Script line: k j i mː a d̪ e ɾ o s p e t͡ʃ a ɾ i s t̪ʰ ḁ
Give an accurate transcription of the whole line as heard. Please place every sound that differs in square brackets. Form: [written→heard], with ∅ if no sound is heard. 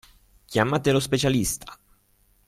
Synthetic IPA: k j [i→a] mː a [d̪→t̪] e [ɾ→l] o s p e t͡ʃ a [ɾ→l] i s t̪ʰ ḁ